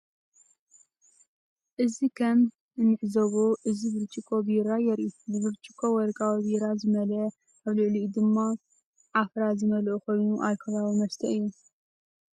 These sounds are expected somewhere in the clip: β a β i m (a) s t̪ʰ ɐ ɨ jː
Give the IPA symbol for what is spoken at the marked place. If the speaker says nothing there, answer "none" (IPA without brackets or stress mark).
ɐ